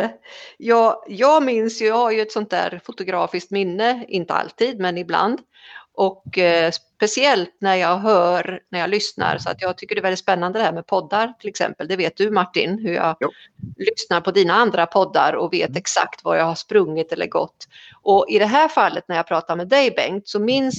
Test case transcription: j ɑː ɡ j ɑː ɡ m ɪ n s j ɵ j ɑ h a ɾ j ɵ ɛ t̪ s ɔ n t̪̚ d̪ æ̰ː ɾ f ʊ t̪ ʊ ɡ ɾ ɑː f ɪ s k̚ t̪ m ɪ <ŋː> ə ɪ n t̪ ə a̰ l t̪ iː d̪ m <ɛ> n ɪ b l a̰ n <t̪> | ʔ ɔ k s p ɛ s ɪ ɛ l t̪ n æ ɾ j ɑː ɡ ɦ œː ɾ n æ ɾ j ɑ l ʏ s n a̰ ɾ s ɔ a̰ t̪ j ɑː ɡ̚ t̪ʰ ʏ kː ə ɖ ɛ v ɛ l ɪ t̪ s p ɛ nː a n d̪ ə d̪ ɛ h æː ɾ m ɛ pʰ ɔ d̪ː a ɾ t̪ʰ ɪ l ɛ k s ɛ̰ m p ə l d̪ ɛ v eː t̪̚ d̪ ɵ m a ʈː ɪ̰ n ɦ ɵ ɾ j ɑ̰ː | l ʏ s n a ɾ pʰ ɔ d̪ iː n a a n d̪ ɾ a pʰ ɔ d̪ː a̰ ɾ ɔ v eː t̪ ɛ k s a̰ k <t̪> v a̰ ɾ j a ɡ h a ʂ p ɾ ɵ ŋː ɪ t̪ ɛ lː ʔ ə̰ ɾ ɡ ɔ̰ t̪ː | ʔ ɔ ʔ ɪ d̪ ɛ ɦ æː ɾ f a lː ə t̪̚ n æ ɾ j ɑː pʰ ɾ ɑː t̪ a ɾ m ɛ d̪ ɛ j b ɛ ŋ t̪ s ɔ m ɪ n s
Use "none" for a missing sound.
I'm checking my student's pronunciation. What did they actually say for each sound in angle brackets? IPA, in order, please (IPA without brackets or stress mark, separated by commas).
nː, ɛ, d̪, t̪